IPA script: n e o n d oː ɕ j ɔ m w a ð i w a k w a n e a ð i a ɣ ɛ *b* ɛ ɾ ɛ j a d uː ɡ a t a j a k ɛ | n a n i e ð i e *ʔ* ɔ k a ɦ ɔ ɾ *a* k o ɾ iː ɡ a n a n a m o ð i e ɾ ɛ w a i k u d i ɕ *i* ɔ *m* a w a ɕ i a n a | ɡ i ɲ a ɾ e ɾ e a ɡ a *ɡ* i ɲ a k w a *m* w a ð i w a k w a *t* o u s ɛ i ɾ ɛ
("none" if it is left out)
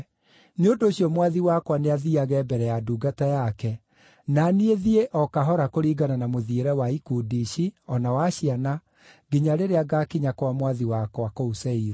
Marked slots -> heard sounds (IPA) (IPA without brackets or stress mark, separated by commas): b, ʔ, a, i, n, k, m, k